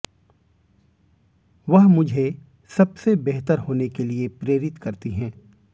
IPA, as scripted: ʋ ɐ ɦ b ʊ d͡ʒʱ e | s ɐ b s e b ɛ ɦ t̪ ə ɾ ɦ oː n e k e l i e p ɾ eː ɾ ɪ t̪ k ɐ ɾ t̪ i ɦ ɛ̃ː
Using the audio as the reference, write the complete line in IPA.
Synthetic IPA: ʋ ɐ ɦ m ʊ d͡ʒʱ e | s ɐ b s e b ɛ ɦ t̪ ə ɾ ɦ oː n e k e l i e p ɾ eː ɾ ɪ t̪ k ɐ ɾ t̪ i ɦ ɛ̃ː